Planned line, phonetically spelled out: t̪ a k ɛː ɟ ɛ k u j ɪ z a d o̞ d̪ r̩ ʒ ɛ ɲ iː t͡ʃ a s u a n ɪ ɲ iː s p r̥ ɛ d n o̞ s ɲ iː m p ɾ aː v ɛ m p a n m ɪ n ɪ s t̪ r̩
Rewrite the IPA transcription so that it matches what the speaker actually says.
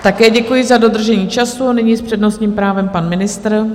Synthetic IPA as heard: t̪ a k ɛː ɟ ɛ k u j ɪ z a d o̞ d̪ r̩ ʒ ɛ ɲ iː t͡ʃ a s u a n ɪ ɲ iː s p r̥ ɛ d n o̞ s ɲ iː m p ɾ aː v ɛ m p a n m ɪ n ɪ s t̪ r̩